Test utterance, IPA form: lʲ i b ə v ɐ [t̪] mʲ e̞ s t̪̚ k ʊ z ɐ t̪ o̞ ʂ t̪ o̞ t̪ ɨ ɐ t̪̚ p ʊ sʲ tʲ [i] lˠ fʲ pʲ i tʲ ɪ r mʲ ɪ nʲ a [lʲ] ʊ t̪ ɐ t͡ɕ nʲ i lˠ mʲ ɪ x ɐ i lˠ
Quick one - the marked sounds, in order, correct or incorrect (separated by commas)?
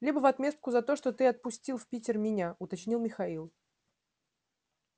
correct, correct, incorrect